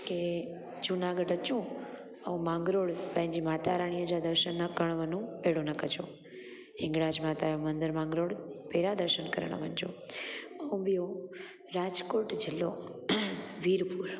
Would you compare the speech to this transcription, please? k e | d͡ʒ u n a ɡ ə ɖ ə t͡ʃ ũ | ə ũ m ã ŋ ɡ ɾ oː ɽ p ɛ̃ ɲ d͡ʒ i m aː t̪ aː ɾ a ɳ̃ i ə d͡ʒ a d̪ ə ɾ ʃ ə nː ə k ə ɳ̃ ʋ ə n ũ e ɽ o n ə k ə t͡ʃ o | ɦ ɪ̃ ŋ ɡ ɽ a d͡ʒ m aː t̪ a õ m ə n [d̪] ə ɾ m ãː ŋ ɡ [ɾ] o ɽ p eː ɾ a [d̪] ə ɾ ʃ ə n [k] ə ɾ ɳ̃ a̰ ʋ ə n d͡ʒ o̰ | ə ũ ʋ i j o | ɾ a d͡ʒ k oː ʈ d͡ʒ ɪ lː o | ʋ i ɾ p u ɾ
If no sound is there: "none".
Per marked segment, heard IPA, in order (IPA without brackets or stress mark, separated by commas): d̪, ɾ, d̪, k